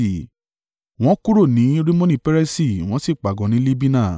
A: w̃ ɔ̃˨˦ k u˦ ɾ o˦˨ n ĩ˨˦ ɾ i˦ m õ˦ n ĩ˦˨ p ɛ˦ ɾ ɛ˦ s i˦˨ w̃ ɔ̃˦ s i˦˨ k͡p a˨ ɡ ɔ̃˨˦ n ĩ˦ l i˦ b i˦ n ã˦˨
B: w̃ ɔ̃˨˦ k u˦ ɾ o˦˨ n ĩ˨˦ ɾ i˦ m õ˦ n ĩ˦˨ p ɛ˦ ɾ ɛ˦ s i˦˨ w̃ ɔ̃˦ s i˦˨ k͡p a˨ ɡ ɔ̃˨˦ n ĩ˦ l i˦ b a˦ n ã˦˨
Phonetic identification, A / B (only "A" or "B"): A